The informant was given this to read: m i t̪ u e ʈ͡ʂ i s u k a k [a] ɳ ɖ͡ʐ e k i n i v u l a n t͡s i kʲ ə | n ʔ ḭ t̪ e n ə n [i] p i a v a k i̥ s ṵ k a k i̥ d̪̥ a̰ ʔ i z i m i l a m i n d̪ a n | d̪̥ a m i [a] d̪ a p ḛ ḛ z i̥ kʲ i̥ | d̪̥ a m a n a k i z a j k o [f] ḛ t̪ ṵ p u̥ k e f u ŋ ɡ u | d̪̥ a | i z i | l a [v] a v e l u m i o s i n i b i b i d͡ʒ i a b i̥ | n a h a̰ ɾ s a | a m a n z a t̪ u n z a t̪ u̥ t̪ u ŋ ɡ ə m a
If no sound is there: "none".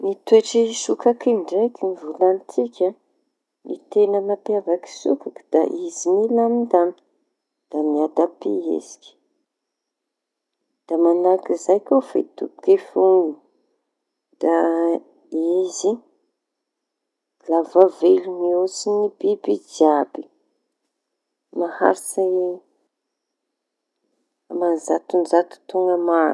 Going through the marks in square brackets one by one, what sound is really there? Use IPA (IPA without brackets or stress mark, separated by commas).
i, a, a, f, v